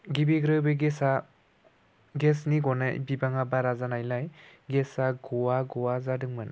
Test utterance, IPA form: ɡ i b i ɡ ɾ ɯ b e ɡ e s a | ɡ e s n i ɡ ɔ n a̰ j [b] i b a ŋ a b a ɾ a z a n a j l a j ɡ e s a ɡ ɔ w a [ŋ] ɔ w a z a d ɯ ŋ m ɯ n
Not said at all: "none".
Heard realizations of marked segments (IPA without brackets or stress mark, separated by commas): b, ɡ